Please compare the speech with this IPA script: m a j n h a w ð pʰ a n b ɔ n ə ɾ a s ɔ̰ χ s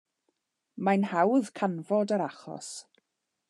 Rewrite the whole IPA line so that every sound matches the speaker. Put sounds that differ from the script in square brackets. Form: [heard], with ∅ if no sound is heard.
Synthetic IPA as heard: m a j n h a w ð [kʰ] a n [v] ɔ [d] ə ɾ a [χ] ɔ̰ [∅] s